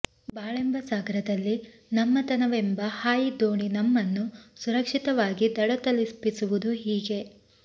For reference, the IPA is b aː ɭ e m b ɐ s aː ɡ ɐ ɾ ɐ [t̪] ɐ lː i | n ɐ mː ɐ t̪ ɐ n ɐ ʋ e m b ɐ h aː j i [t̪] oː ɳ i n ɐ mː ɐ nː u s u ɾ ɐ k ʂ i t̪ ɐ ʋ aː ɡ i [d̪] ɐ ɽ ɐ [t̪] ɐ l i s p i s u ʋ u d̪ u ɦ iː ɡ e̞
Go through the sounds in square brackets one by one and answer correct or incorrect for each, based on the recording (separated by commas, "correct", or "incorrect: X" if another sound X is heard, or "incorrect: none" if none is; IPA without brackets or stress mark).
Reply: incorrect: d̪, incorrect: d̪, correct, correct